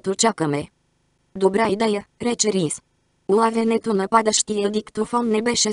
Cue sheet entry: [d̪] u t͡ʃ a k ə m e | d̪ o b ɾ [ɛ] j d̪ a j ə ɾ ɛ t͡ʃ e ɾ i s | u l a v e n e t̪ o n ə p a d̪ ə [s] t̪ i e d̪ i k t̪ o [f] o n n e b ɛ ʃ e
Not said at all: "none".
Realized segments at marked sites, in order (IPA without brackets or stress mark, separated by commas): t̪, a, ʃ, f